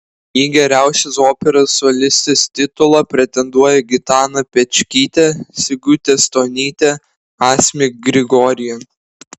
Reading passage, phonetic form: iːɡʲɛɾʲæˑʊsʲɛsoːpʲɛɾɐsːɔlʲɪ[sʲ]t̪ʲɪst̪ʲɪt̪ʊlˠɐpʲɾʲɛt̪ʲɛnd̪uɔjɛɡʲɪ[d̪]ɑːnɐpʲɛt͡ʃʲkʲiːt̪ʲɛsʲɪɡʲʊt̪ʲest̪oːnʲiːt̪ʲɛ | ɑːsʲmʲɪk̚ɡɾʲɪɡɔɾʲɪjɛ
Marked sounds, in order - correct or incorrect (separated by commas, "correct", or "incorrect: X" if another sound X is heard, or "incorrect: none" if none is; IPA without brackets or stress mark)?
correct, incorrect: t̪